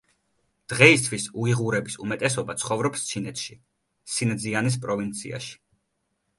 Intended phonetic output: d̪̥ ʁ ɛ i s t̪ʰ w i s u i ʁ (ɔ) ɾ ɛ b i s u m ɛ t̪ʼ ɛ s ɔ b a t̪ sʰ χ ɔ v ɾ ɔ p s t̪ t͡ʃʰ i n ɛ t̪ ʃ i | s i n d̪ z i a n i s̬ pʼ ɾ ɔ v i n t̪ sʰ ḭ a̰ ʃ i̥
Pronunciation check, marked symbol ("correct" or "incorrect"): incorrect